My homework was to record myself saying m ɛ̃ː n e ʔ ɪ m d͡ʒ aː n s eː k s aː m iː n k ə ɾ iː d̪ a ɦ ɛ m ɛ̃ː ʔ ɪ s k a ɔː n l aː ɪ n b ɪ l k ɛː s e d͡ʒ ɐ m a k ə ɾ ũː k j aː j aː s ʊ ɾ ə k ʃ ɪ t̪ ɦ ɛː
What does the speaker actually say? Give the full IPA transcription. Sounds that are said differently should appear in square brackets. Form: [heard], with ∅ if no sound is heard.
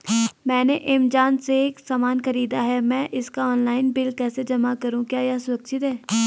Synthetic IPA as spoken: m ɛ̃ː n e ʔ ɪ m d͡ʒ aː n s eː k s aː m [aː] n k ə ɾ iː d̪ a ɦ ɛ m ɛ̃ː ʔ ɪ s k a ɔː n l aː ɪ n b ɪ l k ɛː s e d͡ʒ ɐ m a k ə ɾ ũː k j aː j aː s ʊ ɾ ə k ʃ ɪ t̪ ɦ ɛː